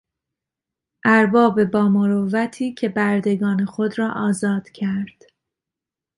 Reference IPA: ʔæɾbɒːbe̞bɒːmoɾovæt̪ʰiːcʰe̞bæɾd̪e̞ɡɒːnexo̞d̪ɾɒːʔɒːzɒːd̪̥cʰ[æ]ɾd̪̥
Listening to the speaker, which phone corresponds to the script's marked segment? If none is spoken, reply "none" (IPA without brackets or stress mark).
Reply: æ